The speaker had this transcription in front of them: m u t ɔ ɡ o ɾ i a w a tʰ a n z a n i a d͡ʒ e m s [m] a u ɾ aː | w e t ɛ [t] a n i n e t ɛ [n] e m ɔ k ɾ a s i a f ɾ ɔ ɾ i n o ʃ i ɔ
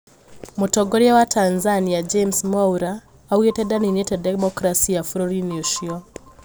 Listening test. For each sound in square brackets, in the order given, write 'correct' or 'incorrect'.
correct, incorrect: d, incorrect: d

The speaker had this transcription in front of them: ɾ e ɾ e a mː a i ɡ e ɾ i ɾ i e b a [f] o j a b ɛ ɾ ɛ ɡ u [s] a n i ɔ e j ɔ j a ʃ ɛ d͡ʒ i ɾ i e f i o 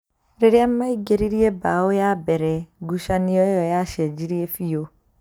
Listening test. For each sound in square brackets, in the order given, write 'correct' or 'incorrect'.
incorrect: none, incorrect: ʃ

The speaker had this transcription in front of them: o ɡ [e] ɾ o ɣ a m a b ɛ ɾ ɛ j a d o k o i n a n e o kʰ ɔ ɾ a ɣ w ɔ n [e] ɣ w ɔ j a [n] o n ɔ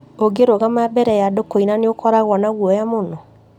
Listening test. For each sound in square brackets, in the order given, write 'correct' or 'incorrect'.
correct, incorrect: a, incorrect: m

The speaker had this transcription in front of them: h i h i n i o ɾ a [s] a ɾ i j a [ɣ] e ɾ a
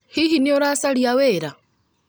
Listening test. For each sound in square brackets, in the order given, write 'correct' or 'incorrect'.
correct, incorrect: w

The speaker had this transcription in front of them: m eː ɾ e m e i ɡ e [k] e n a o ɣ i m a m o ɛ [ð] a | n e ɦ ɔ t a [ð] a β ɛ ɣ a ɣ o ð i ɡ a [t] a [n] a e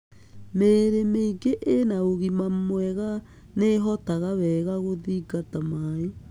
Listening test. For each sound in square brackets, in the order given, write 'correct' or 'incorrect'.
incorrect: ʔ, incorrect: ɣ, incorrect: ɣ, correct, incorrect: m

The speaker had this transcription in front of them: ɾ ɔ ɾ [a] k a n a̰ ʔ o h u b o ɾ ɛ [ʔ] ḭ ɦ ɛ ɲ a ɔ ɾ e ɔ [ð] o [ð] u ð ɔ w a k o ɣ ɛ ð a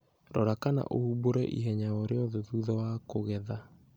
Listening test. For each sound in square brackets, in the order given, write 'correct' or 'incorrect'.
correct, correct, correct, correct

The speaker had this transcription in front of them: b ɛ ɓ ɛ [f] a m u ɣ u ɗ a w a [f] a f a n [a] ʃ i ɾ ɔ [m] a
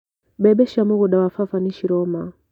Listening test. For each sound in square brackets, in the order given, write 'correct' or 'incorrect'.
incorrect: ʃ, correct, incorrect: i, correct

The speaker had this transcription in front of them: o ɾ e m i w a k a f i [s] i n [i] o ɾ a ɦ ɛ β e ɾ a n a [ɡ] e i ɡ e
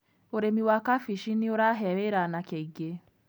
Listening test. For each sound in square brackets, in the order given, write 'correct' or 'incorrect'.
incorrect: ʃ, correct, incorrect: k

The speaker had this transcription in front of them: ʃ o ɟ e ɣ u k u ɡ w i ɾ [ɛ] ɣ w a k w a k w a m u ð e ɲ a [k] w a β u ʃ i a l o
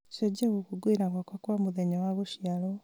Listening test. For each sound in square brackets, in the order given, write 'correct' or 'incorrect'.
incorrect: a, incorrect: none

